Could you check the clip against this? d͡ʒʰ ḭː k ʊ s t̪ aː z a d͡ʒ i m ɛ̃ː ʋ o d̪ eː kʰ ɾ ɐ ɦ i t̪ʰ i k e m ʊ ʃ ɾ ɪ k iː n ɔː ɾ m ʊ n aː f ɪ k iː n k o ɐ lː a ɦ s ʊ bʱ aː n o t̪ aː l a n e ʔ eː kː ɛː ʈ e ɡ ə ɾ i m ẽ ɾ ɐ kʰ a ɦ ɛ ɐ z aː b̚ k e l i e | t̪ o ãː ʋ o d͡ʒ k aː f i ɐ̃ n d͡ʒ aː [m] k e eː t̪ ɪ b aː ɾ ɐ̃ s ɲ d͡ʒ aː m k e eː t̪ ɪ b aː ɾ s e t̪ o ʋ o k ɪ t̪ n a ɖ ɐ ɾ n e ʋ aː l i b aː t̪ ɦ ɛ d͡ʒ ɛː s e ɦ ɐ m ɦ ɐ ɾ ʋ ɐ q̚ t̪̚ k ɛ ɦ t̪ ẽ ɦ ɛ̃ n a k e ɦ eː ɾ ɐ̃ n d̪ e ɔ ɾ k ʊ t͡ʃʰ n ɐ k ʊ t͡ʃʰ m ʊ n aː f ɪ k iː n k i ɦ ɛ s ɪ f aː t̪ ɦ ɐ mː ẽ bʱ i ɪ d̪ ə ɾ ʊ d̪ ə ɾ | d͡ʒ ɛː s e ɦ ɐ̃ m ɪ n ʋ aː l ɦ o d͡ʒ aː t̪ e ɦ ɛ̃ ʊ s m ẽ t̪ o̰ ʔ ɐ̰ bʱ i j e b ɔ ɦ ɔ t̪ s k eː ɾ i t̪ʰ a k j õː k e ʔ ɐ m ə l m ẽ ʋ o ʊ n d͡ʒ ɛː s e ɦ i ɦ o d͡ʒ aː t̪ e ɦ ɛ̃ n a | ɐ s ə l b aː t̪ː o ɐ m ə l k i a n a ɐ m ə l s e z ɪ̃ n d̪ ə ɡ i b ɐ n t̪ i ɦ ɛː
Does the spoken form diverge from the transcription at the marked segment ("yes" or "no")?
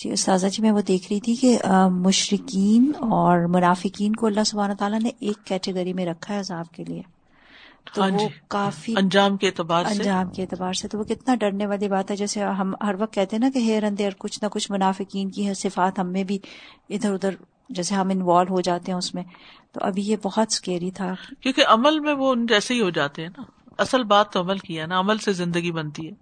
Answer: no